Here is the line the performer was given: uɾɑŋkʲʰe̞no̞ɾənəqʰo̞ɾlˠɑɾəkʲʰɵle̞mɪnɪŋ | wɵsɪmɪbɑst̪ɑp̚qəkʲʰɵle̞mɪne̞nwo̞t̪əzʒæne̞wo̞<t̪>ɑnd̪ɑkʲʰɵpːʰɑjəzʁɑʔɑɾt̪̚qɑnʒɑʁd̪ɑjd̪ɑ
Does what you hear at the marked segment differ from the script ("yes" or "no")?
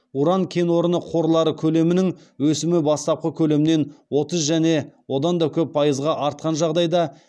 yes